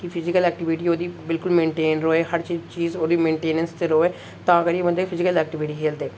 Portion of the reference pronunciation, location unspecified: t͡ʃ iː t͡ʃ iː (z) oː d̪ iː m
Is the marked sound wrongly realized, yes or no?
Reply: no